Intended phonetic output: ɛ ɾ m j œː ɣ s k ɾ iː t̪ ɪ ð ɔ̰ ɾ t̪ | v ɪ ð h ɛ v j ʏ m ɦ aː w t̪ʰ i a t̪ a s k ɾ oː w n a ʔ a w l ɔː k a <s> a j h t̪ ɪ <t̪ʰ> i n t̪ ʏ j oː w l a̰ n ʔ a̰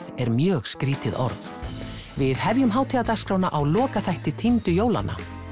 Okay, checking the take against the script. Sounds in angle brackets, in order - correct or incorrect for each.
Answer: incorrect: θ, correct

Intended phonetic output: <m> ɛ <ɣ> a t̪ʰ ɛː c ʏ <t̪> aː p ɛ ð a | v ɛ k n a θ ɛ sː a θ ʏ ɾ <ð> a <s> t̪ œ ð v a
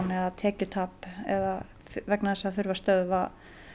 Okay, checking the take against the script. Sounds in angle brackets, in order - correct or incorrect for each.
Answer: incorrect: n, incorrect: ð, incorrect: t̪ʰ, incorrect: v, correct

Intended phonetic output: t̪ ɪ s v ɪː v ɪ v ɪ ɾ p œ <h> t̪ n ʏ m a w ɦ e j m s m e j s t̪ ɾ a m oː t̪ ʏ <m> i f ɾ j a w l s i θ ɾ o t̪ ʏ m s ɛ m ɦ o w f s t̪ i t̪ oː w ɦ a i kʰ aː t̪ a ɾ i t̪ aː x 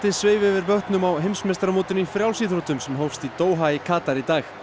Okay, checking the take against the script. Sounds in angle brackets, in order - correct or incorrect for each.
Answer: correct, incorrect: n

